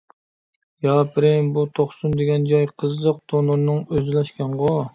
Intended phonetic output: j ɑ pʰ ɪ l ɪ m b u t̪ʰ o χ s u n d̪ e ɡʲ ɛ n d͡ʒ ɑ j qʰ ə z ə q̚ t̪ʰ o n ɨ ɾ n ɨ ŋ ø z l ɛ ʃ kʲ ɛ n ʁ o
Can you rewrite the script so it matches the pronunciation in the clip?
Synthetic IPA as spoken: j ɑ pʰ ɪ ɾ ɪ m b u t̪ʰ o χ s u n d̪ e ɡʲ ɛ n d͡ʒ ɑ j qʰ ə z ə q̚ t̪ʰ o n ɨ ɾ n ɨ ŋ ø z l ɛ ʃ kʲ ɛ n ʁ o